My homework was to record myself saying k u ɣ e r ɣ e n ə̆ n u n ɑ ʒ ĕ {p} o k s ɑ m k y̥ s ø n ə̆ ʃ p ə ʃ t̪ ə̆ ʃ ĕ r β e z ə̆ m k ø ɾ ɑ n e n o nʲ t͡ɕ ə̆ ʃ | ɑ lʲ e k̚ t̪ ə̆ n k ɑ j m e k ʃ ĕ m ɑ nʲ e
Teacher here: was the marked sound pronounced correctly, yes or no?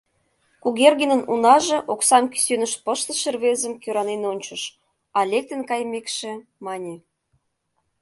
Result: no